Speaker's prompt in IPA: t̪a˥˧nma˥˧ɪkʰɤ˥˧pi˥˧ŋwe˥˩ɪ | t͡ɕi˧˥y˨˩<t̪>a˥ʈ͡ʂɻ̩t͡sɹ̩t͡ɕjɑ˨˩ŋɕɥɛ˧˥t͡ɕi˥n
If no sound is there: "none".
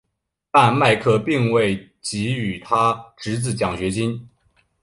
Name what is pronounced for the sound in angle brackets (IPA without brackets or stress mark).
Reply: t̪ʰ